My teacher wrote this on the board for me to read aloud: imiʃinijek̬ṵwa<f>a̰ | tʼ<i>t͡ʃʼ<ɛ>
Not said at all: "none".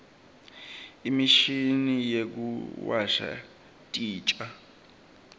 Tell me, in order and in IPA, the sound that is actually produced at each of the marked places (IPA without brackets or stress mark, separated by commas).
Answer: ʃ, iː, a